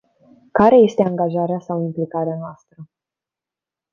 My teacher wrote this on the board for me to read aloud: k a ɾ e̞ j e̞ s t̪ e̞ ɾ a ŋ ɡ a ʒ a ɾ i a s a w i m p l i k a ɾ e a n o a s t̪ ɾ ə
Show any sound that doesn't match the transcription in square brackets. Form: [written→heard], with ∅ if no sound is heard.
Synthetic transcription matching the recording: k a ɾ e̞ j e̞ s t̪ e̞ [ɾ→∅] a ŋ ɡ a ʒ a ɾ [i→e] a s a w i m p l i k a ɾ e a n o a s t̪ ɾ ə